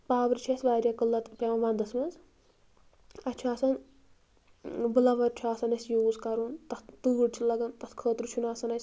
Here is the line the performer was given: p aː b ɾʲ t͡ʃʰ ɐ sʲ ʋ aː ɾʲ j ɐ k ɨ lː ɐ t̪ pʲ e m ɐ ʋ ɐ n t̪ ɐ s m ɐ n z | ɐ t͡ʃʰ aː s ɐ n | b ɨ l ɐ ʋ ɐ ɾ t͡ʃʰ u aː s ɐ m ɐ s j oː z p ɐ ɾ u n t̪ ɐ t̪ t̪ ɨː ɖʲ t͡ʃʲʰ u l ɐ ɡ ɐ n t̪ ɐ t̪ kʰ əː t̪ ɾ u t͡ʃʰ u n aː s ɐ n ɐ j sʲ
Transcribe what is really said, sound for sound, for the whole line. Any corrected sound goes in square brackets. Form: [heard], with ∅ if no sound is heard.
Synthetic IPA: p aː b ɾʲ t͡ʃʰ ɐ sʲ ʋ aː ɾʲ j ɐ k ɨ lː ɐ t̪ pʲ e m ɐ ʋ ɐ n [d̪] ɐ s m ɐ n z | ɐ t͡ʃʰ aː s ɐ n | b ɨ l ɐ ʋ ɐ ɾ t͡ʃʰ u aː s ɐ [n] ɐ s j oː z [k] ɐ ɾ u n t̪ ɐ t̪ t̪ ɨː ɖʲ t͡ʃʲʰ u l ɐ ɡ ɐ n t̪ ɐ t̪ kʰ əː t̪ ɾ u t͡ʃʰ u n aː s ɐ n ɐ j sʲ

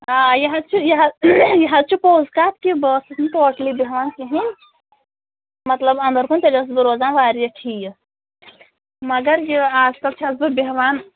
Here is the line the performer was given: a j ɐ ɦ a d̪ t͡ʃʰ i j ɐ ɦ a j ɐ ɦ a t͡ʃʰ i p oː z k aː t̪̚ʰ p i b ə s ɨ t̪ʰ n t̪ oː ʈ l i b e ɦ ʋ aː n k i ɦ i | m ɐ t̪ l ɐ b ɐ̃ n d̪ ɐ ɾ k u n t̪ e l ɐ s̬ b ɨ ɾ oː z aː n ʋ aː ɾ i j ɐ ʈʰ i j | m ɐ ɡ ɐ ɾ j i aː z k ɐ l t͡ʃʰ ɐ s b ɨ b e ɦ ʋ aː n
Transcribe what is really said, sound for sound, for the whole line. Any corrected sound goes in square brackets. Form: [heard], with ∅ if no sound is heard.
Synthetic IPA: a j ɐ ɦ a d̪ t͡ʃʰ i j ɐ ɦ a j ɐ ɦ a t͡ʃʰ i p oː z k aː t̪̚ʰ [k] i b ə s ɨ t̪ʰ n t̪ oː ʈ l i b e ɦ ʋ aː n k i ɦ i | m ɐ t̪ l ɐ b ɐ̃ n d̪ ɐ ɾ k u n t̪ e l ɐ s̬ b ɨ ɾ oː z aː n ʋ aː ɾ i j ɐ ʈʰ i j | m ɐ ɡ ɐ ɾ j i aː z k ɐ l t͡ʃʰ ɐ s b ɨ b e ɦ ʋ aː n

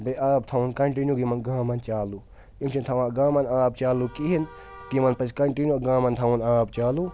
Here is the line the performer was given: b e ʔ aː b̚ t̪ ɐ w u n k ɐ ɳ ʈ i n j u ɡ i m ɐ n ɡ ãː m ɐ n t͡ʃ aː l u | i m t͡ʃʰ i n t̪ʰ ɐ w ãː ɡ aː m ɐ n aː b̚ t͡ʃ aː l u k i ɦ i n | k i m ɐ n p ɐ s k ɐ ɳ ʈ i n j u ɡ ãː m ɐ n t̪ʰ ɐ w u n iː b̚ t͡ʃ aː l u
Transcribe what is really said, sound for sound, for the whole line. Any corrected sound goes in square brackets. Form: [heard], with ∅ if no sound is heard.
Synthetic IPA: b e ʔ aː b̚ [t̪ʰ] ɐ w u n k ɐ ɳ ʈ i n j u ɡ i m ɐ n ɡ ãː m ɐ n t͡ʃ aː l u | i m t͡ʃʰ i n t̪ʰ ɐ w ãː ɡ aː m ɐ n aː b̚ t͡ʃ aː l u k i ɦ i n | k i m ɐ n p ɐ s k ɐ ɳ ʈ i n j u ɡ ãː m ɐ n t̪ʰ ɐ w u n [aː] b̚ t͡ʃ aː l u

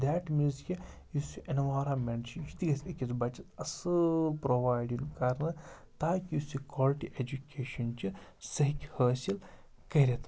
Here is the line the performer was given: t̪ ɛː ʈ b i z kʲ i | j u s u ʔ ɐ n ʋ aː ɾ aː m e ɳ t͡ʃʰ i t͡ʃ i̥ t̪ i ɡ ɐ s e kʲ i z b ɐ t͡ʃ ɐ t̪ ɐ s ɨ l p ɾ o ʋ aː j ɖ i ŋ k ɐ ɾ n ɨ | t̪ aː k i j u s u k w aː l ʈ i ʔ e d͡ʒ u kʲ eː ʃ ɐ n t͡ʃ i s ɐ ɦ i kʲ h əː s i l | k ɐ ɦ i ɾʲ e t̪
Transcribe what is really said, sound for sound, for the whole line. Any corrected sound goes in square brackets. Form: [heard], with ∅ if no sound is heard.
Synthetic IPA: [d̪] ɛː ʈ [m] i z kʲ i | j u s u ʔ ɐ n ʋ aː ɾ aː m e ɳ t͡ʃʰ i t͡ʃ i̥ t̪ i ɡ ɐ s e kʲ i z b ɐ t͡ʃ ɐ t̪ ɐ s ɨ l p ɾ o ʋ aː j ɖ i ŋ k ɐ ɾ n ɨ | t̪ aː k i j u s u k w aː l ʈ i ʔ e d͡ʒ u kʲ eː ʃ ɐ n t͡ʃ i s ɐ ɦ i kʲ h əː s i l | k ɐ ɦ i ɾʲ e t̪

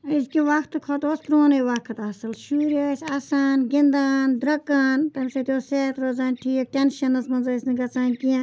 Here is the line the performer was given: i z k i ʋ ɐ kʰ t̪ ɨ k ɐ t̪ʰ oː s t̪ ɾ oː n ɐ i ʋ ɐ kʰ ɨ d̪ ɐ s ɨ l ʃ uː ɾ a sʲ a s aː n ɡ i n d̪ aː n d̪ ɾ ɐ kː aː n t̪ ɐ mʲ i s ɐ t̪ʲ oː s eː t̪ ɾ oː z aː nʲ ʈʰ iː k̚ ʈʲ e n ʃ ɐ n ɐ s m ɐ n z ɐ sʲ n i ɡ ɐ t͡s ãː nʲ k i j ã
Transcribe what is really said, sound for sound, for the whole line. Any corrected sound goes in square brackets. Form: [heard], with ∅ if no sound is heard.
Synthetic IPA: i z k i ʋ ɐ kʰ t̪ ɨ [kʰ] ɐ [t̪] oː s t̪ ɾ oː n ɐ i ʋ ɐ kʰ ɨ [t̪] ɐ s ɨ l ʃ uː ɾ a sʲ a s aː n ɡ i n d̪ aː n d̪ ɾ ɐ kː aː n t̪ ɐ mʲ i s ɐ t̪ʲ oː s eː t̪ ɾ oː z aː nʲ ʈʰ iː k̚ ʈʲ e n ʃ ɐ n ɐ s m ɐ n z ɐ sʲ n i ɡ ɐ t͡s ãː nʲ k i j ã

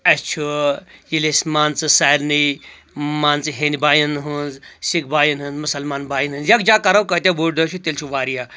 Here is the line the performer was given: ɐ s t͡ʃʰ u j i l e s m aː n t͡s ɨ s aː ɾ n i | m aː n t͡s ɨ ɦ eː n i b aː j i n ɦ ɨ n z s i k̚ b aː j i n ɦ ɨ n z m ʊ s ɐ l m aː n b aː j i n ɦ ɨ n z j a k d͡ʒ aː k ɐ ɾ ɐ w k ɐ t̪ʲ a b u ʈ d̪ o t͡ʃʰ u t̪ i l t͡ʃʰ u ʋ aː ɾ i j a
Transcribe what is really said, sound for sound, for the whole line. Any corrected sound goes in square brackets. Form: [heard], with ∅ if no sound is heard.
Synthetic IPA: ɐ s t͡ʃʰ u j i l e s m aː n t͡s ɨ s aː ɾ n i | m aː n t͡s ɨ ɦ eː n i b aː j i n ɦ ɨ n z s i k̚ b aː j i n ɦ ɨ n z m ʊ s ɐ l m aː n b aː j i n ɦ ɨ n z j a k d͡ʒ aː k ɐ ɾ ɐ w k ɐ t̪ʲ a b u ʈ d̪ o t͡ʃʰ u t̪ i l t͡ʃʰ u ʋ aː ɾ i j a

